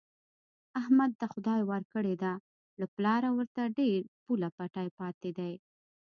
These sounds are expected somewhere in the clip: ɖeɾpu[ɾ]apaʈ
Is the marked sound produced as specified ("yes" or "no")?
no